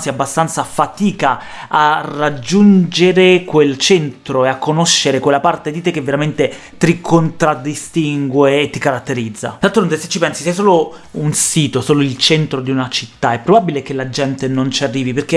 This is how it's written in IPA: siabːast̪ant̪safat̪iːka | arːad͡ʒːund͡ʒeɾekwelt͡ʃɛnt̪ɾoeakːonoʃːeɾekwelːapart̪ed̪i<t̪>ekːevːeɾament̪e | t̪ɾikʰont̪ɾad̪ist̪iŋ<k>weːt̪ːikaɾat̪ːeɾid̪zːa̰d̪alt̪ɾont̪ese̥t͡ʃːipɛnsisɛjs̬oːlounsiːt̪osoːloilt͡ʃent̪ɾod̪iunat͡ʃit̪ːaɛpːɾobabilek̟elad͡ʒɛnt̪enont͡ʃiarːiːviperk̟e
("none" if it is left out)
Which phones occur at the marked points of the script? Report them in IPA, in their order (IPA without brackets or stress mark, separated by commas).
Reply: t̪, ɡ